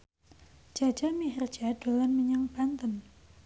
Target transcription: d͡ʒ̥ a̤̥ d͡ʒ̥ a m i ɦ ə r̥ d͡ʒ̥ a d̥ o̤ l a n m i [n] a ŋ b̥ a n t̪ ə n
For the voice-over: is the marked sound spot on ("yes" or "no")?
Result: no